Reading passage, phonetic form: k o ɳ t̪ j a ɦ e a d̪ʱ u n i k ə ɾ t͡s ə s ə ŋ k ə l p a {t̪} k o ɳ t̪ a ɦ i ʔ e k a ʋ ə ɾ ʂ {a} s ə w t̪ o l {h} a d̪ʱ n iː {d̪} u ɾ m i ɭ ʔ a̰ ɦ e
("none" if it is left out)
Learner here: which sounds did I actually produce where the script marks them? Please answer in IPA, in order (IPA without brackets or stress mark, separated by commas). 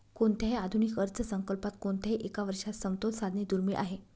t̪, a, s, d̪